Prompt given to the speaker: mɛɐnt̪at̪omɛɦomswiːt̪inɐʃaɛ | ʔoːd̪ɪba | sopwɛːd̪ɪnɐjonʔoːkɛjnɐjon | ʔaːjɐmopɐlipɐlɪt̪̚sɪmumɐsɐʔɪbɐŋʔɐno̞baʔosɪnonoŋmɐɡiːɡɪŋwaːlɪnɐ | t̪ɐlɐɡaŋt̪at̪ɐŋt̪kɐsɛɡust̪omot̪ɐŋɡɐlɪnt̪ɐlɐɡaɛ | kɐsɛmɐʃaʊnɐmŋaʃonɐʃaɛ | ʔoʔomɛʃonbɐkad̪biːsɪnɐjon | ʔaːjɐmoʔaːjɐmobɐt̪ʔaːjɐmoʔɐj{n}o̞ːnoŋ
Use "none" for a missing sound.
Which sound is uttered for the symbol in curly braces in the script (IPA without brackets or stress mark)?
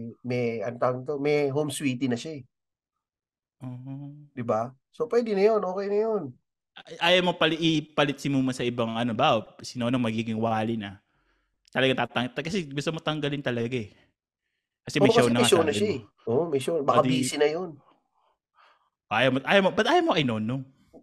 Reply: n